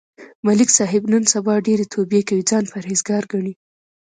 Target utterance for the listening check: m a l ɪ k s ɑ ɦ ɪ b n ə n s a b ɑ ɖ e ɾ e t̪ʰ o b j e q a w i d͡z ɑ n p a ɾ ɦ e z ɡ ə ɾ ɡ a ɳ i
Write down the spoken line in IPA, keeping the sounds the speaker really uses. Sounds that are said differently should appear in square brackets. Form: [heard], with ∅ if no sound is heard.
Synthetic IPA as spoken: m a l ɪ k s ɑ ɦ ɪ b n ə n s a b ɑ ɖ e ɾ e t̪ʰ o b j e [k] a w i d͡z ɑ n p a ɾ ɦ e z ɡ [ɑ] ɾ ɡ a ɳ i